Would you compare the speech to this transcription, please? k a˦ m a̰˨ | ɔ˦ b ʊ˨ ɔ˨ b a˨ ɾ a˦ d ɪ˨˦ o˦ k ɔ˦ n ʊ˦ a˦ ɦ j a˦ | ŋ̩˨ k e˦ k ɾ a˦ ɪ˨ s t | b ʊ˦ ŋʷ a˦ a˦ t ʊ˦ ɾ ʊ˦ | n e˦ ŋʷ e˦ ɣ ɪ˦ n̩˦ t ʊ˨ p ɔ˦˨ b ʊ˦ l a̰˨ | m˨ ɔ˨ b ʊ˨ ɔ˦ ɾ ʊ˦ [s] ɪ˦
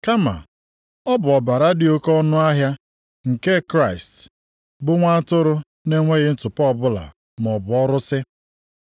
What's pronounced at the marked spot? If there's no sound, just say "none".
s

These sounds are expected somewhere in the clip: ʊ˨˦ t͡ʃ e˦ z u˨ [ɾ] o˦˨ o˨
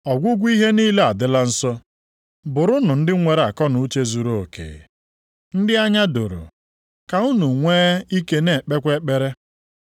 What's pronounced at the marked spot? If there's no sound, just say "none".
ɾ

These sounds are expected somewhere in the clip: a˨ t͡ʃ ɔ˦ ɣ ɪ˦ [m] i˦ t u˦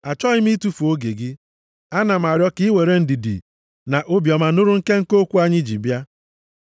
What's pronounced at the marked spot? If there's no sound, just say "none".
m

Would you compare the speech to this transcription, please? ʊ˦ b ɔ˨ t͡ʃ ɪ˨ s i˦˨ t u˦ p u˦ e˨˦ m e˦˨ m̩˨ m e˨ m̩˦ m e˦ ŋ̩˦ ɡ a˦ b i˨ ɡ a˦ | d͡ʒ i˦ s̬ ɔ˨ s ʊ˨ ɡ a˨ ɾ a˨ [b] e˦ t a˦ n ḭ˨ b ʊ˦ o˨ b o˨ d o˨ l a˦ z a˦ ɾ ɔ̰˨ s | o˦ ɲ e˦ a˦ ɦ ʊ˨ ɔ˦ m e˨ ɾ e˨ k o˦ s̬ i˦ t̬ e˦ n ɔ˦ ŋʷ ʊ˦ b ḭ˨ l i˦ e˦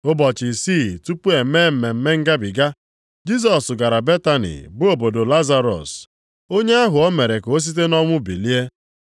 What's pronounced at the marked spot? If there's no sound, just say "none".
b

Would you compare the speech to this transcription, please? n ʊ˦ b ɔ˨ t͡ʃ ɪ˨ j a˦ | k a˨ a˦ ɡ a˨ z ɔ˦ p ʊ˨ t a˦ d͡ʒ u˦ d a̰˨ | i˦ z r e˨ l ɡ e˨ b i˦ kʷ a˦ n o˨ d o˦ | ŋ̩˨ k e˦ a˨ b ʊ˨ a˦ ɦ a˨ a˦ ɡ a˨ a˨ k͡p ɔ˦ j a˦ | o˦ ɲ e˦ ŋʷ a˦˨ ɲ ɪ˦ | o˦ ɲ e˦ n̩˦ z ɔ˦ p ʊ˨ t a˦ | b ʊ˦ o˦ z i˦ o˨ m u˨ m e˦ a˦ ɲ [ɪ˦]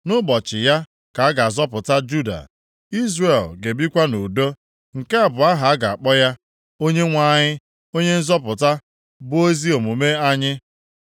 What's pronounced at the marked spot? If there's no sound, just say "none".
ɪ˦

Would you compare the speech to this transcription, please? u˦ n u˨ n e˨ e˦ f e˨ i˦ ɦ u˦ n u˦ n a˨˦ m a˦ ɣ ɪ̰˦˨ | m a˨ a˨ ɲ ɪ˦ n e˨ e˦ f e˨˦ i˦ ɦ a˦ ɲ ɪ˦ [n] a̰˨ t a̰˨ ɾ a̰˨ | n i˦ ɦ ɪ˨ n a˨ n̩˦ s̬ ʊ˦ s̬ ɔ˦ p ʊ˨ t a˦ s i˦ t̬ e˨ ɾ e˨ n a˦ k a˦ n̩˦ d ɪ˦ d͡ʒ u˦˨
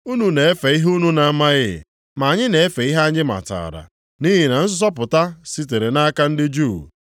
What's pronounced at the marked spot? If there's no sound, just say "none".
m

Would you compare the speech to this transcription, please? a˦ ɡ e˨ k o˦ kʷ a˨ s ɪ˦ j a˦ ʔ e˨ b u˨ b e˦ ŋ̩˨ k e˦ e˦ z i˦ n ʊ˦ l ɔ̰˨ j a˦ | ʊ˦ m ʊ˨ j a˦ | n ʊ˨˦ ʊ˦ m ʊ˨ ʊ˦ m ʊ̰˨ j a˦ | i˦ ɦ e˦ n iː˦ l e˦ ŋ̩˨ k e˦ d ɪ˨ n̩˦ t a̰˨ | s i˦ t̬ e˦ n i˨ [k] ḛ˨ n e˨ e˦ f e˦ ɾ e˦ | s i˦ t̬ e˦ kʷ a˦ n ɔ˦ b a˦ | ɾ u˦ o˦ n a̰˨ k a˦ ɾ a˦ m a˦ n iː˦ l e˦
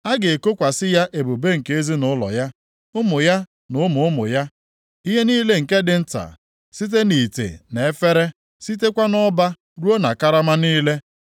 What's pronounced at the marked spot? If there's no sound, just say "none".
t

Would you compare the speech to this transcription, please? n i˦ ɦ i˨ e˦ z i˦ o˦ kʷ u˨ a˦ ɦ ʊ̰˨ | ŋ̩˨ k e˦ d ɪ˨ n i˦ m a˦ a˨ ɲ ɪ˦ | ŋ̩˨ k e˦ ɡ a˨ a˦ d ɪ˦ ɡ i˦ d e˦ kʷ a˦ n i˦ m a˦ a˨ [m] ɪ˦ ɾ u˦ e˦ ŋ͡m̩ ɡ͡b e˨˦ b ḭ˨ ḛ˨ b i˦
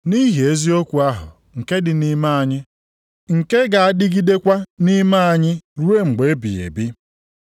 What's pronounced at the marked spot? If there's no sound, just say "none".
ɲ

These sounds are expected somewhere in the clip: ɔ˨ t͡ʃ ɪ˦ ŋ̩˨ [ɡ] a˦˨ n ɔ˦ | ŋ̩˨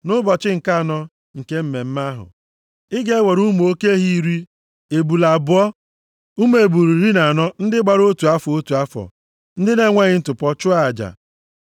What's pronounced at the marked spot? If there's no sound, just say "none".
k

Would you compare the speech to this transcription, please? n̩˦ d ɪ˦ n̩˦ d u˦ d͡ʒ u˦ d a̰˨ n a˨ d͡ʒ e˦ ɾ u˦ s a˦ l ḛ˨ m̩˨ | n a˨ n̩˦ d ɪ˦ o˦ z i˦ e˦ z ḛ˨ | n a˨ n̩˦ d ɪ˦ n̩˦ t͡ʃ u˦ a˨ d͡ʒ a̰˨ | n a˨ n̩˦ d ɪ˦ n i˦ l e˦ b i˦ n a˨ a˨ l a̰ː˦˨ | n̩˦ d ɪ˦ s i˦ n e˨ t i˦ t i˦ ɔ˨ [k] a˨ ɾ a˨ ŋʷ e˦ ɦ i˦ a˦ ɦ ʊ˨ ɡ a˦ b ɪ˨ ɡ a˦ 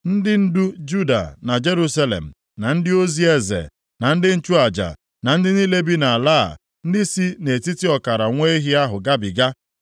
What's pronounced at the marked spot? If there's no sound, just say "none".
k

